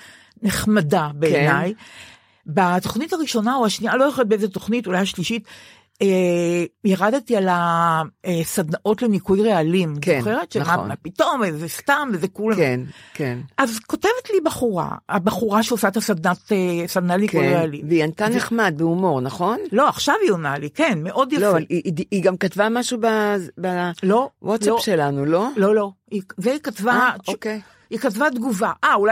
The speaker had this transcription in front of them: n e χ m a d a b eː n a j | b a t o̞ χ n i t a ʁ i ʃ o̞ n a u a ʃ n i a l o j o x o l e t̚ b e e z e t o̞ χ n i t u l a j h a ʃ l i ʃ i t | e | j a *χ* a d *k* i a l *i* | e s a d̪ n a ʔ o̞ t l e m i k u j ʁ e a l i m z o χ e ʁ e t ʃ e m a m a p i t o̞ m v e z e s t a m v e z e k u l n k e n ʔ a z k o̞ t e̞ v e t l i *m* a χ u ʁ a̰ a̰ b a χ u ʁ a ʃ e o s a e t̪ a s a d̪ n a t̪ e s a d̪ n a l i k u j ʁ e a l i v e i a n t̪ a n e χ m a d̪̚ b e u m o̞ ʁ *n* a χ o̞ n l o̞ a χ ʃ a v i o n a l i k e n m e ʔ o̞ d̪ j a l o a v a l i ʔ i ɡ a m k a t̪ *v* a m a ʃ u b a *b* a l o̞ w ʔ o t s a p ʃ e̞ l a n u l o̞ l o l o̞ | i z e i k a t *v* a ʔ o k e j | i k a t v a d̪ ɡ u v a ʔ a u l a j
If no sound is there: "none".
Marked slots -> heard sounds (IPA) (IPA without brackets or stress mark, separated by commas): ʁ, t, a, b, n, v, b, v